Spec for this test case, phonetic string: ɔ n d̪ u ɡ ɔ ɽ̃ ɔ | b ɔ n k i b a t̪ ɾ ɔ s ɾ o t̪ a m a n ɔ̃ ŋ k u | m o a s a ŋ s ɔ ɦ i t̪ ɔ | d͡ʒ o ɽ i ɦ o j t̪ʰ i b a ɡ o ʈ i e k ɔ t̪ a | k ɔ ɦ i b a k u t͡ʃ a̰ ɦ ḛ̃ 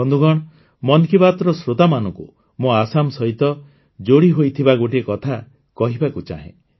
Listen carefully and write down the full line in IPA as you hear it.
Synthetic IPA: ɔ n d̪ u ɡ ɔ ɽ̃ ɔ | m ɔ n k i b a t̪ ɾ ɔ s ɾ o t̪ a m a n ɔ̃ ŋ k u | m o a s a m s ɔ ɦ i t̪ ɔ | d͡ʒ o ɽ i ɦ o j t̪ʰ i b a ɡ o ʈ i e k ɔ t̪ʰ a | k ɔ ɦ i b a k u t͡ʃ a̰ ɦ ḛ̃